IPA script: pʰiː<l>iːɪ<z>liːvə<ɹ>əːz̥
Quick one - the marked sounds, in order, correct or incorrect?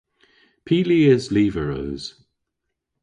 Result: correct, correct, correct

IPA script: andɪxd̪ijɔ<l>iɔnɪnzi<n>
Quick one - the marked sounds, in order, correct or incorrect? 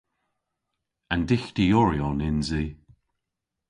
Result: incorrect: ɹ, incorrect: none

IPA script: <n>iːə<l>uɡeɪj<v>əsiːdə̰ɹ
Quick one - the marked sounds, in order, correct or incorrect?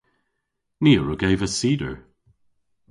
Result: correct, incorrect: ɹ, correct

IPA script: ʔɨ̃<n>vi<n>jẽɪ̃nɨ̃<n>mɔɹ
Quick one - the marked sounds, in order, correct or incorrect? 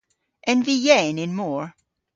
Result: correct, incorrect: none, correct

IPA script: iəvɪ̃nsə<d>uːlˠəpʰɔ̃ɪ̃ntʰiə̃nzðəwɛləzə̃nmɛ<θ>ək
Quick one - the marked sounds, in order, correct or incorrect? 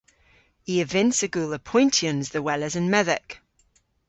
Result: incorrect: ɡ, incorrect: ð

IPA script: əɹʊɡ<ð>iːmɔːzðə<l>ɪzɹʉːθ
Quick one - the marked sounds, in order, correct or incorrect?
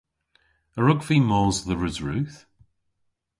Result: incorrect: v, incorrect: ɹ

